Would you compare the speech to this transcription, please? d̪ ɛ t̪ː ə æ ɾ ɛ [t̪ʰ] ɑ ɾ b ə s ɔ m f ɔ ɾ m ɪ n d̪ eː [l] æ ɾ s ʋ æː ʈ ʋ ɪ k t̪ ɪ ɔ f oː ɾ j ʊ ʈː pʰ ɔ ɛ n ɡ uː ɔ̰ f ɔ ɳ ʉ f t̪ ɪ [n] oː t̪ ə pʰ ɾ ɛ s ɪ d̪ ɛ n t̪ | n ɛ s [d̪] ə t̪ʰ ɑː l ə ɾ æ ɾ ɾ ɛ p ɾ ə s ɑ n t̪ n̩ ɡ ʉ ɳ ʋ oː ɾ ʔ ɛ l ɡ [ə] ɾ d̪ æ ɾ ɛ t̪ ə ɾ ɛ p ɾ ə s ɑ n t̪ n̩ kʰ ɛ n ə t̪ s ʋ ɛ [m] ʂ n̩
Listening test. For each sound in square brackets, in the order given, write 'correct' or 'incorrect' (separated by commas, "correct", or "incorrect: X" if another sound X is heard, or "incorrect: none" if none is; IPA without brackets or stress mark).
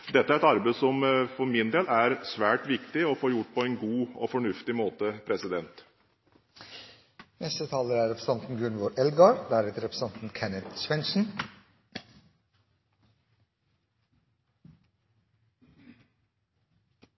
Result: incorrect: t̪, correct, incorrect: m, incorrect: t̪, incorrect: ɑ, incorrect: n